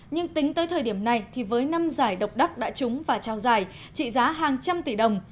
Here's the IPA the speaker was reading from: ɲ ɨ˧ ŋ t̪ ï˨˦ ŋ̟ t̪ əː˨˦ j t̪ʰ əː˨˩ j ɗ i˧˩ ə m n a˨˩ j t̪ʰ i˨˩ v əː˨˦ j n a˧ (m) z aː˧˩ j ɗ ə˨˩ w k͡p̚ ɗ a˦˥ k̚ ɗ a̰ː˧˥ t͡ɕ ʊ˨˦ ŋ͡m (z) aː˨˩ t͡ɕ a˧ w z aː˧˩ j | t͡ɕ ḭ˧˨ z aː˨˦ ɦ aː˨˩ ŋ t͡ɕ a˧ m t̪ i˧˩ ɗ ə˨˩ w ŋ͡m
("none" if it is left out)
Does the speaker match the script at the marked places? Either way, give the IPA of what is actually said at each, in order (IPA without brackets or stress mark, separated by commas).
m, v